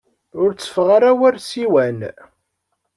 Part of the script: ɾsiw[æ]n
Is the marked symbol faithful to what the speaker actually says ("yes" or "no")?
yes